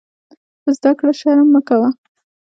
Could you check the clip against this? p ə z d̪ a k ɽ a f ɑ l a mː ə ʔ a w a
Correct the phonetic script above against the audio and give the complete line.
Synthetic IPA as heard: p ə z d̪ a k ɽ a ʃ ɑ ɾ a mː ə k a w a

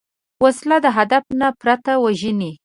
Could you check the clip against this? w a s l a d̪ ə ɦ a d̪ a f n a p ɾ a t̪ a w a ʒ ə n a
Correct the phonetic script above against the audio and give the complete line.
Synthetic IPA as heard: w a s l a d̪ ə ɦ a d̪ a f n a p ɾ a t̪ a w a ʒ ə n i

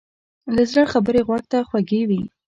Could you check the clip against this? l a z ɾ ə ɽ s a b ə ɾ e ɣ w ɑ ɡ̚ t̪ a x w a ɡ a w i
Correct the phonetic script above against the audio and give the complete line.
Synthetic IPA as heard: l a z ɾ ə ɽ x a b ə ɾ e ɣ w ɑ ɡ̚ t̪ a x w a ɡ e w i

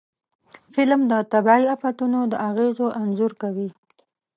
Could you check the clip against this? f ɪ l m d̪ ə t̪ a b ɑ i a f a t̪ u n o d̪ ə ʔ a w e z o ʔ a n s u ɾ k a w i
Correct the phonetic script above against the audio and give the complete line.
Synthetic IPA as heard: f ɪ l m d̪ ə t̪ a b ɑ i a f a t̪ u n o d̪ ə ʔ a ɣ e z o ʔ a n z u ɾ k a w i

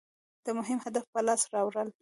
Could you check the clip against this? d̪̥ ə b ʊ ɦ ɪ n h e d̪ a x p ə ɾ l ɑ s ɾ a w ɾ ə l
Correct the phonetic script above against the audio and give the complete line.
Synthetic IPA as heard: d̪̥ ə m ʊ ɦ ɪ m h a d̪ a f p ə l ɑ s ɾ ɑ w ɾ ə l

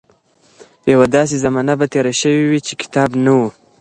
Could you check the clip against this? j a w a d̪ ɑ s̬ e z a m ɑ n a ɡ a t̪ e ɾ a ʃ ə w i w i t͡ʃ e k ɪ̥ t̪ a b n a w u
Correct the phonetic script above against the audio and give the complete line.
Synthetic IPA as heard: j a w a d̪ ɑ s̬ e z a m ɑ n a b a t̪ e ɾ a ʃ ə w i w i t͡ʃ e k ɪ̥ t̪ ɑ b n a w u

